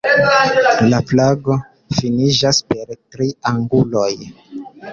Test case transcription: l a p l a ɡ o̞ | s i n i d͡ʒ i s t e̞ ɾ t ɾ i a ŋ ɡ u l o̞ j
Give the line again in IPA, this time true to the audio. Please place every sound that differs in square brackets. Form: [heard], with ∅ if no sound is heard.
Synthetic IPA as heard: l a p l a ɡ o̞ | [f] i n i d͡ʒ [a] s [p] e̞ ɾ t ɾ i a ŋ ɡ u l o̞ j